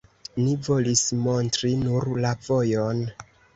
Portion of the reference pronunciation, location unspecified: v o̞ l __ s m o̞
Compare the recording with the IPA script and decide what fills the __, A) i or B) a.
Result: A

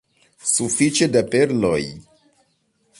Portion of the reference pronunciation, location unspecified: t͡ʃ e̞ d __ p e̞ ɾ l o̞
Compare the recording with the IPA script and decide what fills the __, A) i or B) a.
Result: B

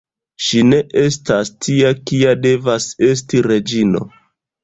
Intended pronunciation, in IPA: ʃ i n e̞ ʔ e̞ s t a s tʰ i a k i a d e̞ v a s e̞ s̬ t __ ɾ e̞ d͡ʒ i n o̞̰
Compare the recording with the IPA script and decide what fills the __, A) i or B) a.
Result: A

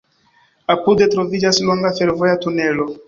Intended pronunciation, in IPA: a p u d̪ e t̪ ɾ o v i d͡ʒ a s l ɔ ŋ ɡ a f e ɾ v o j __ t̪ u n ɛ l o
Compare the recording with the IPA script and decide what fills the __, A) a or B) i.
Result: A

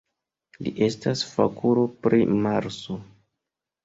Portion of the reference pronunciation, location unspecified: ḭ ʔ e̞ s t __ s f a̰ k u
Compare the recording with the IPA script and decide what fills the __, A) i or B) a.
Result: B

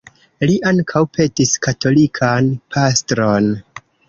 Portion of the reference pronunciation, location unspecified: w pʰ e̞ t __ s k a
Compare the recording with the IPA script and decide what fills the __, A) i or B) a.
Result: A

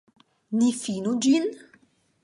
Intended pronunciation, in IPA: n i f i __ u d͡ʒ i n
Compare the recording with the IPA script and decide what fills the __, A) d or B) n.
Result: B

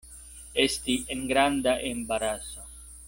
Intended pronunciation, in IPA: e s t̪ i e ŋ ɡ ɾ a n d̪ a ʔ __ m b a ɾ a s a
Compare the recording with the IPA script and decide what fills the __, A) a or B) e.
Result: B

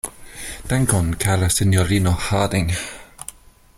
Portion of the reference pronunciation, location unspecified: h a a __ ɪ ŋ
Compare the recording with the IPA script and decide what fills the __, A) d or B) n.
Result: A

